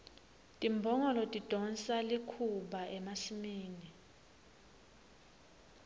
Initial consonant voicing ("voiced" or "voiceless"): voiceless